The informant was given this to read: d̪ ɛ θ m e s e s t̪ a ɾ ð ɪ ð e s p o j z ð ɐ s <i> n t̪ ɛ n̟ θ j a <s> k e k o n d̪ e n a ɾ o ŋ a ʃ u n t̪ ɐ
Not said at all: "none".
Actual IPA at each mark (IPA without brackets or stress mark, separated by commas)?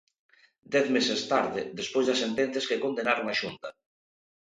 e, s